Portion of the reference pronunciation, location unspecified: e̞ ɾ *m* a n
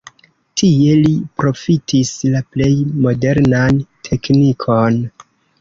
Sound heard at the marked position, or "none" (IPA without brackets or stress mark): n